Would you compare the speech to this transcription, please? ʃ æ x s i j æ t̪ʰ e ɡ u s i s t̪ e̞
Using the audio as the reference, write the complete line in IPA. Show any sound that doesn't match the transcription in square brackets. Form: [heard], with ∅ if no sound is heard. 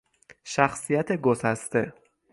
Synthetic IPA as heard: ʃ æ x s i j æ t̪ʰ e ɡ [o] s [æ] s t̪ e̞